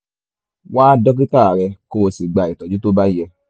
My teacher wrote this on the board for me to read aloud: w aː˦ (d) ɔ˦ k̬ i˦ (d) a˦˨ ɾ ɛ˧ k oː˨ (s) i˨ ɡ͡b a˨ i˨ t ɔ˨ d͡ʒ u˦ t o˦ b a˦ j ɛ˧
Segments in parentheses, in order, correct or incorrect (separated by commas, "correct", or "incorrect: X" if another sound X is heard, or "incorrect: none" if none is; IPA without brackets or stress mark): correct, incorrect: t, correct